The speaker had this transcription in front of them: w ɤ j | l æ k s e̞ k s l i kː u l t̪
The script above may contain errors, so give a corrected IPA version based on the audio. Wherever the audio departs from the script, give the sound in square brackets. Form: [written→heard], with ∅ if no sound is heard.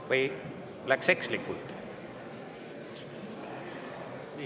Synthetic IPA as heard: [w→v] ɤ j | l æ k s e̞ k s l i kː u l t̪